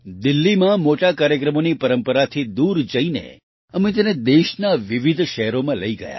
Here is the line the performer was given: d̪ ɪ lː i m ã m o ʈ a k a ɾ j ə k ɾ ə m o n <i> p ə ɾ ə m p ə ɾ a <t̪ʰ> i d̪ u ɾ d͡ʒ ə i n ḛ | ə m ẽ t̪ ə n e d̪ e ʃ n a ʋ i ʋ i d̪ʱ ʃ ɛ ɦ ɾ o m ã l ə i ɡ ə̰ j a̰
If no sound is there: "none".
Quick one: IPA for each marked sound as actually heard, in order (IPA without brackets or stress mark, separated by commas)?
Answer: i, t̪ʰ